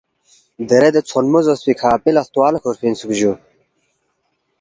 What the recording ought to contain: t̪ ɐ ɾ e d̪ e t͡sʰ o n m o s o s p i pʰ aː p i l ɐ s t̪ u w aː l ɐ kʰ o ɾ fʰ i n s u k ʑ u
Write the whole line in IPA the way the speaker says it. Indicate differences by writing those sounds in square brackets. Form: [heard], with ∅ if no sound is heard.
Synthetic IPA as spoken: [d̪] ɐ ɾ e d̪ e t͡sʰ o n m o [z] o s p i [kʰ] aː p i l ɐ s t̪ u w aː l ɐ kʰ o ɾ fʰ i n s u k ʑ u